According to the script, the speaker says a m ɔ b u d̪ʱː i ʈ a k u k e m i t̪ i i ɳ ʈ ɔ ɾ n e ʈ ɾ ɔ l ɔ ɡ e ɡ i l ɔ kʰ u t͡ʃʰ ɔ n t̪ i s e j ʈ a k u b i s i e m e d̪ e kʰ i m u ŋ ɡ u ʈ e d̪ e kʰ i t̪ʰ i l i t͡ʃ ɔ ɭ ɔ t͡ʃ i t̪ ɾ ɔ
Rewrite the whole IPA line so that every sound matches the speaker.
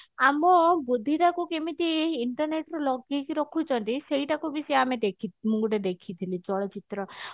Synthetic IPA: a m ɔ b u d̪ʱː i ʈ a k u k e m i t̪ i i ɳ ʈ ɔ ɾ n e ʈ ɾ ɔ l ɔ ɡ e k i ɾ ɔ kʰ u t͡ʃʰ ɔ n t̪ i s e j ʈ a k u b i s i a m e d̪ e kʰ i m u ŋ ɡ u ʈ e d̪ e kʰ i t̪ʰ i l i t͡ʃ ɔ ɭ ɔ t͡ʃ i t̪ ɾ ɔ